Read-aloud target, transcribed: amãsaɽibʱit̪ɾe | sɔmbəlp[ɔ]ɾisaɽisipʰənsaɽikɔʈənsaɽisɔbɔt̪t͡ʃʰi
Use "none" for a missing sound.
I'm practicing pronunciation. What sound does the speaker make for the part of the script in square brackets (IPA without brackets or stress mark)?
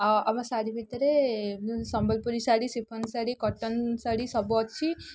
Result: u